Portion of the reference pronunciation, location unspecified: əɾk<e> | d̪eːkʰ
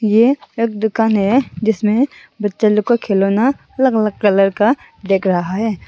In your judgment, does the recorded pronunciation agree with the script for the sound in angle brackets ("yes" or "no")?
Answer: no